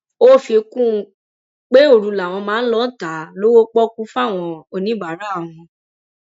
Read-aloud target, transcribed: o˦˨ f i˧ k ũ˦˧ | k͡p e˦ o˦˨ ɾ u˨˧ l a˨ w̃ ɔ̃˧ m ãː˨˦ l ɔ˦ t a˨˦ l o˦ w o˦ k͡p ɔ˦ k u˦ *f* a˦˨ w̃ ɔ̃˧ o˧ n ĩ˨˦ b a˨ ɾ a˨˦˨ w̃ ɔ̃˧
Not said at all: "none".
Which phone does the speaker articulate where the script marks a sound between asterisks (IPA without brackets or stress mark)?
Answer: f